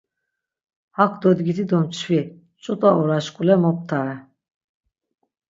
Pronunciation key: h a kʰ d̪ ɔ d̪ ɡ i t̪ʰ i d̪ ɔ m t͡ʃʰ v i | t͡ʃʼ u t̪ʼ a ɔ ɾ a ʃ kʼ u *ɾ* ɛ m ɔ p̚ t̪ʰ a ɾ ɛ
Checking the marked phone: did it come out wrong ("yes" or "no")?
yes